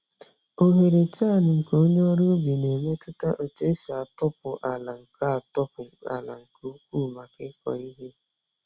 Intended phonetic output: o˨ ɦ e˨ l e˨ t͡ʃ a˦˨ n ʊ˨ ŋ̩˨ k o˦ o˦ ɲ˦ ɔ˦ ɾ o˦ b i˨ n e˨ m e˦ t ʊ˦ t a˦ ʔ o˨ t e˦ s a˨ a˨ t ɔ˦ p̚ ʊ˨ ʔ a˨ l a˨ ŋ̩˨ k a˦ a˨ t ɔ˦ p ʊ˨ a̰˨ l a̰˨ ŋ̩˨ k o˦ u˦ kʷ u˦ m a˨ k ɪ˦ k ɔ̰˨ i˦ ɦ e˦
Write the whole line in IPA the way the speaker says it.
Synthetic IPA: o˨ ɦ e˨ ɾ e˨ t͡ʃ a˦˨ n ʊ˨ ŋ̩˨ k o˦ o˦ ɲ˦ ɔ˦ ɾ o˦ b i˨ n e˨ m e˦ t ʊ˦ t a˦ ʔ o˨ t͡ʃ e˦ s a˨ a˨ t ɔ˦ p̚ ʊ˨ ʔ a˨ l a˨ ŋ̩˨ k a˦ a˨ t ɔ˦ p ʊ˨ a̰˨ l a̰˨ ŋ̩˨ k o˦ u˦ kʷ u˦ m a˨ k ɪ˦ k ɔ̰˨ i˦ ɦ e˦

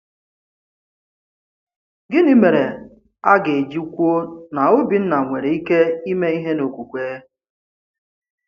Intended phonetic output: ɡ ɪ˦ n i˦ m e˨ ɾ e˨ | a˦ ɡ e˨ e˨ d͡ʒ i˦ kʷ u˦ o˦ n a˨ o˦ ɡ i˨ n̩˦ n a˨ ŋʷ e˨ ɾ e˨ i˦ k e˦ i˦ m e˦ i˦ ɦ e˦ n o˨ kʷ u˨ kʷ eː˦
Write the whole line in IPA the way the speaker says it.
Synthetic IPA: ɡ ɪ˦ n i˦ m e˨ ɾ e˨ | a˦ ɡ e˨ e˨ d͡ʒ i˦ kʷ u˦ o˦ n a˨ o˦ b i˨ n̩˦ n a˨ ŋʷ e˨ ɾ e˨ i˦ k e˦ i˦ m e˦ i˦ ɦ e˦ n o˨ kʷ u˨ kʷ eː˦

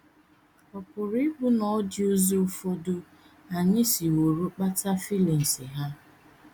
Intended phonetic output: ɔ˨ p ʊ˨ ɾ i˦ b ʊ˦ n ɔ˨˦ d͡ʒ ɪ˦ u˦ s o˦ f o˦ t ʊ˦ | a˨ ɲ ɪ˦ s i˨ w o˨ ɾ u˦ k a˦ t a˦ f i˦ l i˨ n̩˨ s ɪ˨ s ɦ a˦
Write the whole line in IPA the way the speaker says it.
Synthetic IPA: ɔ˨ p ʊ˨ ɾ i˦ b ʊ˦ n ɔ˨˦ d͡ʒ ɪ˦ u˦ z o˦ f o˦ d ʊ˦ | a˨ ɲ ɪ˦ s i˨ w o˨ ɾ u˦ k͡p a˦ t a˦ f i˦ l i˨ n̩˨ s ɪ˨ ɦ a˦

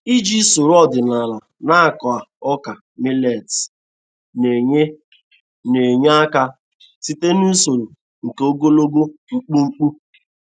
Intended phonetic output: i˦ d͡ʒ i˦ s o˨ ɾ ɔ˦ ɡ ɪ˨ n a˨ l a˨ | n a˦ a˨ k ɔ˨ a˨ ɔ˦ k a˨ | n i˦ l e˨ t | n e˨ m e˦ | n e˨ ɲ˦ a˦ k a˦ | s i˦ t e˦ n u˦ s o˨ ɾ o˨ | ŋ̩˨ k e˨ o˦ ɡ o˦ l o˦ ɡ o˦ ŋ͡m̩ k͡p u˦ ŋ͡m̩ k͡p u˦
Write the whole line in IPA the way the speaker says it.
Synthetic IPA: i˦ d͡ʒ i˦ s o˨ ɾ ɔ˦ d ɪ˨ n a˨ l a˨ | n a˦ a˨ k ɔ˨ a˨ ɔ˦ k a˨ | m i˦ l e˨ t | n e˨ ɲ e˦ | n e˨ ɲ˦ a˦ k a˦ | s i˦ t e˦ n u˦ s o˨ ɾ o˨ | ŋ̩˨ k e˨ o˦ ɡ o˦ l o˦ ɡ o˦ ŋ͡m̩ k͡p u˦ ŋ͡m̩ k͡p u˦

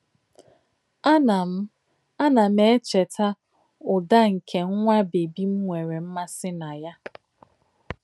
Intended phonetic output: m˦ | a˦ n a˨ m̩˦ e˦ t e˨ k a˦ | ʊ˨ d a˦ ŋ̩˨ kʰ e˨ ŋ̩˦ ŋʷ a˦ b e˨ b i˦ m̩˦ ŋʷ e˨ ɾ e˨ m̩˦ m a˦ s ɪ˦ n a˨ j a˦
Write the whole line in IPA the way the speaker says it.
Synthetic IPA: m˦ | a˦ n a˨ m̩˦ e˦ t͡ʃ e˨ t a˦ | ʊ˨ d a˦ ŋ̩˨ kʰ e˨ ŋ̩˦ ŋʷ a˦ b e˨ b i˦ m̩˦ ŋʷ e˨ ɾ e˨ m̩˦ m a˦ s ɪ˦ n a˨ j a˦

